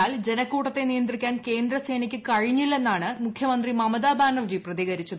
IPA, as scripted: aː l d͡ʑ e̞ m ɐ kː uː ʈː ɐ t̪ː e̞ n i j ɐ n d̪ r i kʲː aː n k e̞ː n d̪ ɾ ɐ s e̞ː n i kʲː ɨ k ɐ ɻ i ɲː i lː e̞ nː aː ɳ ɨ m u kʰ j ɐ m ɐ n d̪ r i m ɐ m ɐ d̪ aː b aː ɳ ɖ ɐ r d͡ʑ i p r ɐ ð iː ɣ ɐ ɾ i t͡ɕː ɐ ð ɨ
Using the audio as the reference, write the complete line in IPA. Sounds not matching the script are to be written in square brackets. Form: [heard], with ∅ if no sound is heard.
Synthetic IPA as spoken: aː l d͡ʑ e̞ [n] ɐ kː uː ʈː ɐ t̪ː e̞ n i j ɐ n d̪ r i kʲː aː n k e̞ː n d̪ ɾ ɐ s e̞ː n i kʲː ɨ k ɐ ɻ i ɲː i lː e̞ nː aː ɳ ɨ m u kʰ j ɐ m ɐ n d̪ r i m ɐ m ɐ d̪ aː b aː ɳ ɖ ɐ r d͡ʑ i p r ɐ ð iː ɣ ɐ ɾ i t͡ɕː ɐ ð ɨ

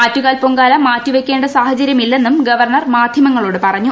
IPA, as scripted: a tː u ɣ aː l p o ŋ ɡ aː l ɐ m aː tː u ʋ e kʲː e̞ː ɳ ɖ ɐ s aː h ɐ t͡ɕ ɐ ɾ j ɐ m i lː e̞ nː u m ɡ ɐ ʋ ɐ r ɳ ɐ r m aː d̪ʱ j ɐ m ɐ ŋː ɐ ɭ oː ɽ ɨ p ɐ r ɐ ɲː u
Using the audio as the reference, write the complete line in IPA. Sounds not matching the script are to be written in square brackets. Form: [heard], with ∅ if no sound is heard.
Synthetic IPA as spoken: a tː u ɣ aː l p o ŋ ɡ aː l ɐ m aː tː u ʋ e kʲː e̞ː ɳ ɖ ɐ s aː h ɐ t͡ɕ ɐ ɾ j ɐ m i lː e̞ nː u m ɡ ɐ ʋ ɐ r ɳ ɐ r m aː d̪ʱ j ɐ m ɐ ŋː ɐ ɭ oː ɽ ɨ p ɐ r ɐ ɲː u

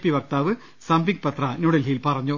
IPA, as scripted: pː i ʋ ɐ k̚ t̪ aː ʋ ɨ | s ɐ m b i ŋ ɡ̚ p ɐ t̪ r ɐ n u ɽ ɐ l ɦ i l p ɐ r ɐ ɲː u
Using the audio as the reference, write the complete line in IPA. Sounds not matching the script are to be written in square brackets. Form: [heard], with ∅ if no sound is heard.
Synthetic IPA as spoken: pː i ʋ ɐ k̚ t̪ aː ʋ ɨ | s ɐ m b i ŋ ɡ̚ p ɐ t̪ r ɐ n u ɽ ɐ l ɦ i l p ɐ r ɐ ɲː u

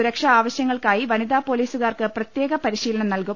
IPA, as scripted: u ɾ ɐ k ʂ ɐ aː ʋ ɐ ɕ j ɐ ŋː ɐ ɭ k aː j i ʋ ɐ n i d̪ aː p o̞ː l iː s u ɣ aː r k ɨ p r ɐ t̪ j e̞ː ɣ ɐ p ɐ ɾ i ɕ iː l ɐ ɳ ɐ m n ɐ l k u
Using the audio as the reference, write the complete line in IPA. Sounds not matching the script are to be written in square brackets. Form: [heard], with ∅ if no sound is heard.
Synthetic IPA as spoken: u ɾ ɐ k ʂ ɐ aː ʋ ɐ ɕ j ɐ ŋː ɐ ɭ k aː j i ʋ ɐ n i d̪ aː p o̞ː l iː s u ɣ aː r k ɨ p r ɐ t̪ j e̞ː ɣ ɐ p ɐ ɾ i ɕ iː l ɐ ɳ ɐ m n ɐ l k u

